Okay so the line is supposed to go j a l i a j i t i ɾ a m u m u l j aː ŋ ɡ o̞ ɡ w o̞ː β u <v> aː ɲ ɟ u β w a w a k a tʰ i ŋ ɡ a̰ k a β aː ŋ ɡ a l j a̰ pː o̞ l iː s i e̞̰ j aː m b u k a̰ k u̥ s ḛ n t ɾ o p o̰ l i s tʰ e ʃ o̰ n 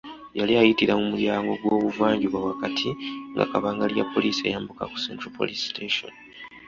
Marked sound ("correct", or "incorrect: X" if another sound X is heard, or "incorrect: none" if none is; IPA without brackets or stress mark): correct